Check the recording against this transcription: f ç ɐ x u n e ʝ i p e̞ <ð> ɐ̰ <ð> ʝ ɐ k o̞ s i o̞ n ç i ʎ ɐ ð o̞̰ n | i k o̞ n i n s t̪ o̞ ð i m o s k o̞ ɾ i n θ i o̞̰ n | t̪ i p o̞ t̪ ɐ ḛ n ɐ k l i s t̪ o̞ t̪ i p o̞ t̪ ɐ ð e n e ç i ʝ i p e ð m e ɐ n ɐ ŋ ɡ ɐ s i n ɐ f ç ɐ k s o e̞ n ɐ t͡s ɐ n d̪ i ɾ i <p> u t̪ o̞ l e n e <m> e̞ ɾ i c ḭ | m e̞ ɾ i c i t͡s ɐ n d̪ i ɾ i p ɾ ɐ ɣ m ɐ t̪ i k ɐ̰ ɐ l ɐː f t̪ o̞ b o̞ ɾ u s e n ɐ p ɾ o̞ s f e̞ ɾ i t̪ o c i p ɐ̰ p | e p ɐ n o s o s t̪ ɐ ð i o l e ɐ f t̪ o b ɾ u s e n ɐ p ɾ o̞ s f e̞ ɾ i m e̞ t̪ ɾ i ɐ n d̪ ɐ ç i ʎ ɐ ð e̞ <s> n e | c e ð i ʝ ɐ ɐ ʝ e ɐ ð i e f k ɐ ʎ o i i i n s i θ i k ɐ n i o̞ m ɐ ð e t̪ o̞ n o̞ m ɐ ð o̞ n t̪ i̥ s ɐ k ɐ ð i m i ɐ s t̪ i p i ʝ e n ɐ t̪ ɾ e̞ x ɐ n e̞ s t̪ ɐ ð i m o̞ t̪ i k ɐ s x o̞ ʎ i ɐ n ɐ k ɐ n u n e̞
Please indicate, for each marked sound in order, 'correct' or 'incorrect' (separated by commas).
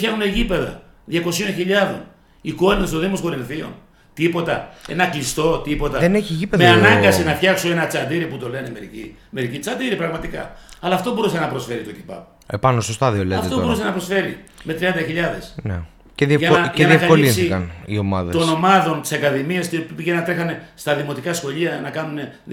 correct, correct, correct, correct, correct